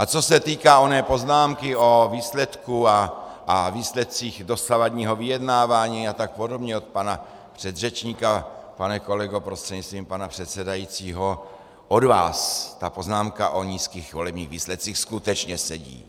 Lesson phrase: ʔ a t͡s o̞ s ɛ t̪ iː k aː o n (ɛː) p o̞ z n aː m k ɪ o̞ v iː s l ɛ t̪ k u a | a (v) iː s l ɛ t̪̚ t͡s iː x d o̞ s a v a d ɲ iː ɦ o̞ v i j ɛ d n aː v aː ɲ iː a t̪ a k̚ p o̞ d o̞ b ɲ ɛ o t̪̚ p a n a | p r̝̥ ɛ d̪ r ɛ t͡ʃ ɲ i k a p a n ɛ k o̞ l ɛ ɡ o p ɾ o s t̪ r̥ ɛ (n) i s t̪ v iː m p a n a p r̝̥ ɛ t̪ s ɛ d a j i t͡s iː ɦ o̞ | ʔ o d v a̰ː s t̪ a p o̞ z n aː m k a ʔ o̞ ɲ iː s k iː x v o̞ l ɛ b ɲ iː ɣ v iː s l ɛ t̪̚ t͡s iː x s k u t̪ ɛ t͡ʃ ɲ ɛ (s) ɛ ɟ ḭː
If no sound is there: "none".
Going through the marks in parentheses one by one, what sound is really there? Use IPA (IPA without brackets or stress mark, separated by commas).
ɛː, v, ɲ, s